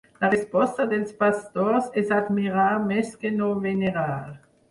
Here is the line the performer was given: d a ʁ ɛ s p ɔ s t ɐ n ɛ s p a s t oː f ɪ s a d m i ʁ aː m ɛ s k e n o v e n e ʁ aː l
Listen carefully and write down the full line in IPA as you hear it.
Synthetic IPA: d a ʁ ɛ s p ɔ s t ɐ d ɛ s p a s t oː s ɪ s a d m i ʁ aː m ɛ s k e n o v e n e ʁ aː l